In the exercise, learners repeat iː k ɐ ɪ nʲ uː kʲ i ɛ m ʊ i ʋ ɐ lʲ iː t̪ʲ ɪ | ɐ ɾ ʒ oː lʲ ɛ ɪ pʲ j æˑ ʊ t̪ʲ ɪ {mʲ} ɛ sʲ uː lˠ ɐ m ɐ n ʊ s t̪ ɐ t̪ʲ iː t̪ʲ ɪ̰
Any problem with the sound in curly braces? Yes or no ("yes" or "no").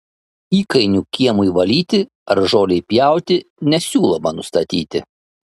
yes